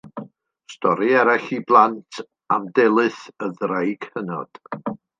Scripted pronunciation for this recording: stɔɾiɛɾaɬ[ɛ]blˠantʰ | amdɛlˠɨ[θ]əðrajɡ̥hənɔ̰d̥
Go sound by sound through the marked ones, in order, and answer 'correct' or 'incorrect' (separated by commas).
incorrect, correct